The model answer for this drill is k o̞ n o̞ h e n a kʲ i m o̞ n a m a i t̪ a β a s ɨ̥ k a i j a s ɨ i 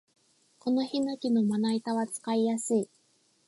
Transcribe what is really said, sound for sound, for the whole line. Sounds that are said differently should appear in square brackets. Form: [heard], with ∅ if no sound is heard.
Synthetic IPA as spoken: k o̞ n o̞ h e n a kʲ i [n] o̞ [m] a [n] a i t̪ a β a [t͡s] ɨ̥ k a i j a s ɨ i